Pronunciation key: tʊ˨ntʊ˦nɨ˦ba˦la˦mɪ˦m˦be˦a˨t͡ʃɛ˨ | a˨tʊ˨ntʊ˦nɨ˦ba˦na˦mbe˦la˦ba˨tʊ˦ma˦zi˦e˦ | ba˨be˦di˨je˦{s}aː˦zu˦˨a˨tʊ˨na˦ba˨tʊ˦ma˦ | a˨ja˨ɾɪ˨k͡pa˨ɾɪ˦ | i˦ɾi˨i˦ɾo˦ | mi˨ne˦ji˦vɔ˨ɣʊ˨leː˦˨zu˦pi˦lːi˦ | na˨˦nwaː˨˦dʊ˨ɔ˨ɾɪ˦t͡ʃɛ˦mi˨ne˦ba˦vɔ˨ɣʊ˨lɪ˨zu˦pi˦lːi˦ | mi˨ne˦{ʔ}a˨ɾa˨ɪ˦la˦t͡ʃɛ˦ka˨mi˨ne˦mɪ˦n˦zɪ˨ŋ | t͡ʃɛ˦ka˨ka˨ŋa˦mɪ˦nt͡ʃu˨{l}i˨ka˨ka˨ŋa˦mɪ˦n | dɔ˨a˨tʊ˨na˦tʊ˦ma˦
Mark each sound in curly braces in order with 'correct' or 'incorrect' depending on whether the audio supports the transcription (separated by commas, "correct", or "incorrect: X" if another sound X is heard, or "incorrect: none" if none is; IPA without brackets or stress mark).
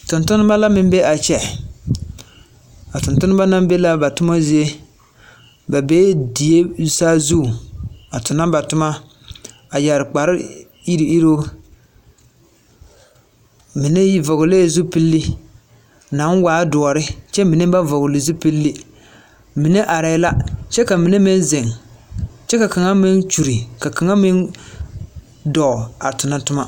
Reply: correct, correct, incorrect: ɾ